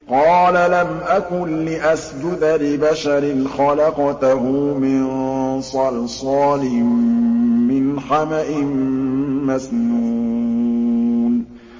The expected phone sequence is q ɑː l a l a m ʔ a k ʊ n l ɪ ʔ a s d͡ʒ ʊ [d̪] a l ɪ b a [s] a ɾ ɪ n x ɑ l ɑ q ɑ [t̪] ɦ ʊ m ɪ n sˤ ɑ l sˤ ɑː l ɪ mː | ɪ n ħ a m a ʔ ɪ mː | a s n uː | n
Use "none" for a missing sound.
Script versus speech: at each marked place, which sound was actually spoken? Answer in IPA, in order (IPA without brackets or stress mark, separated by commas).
d̪, ʃ, t̪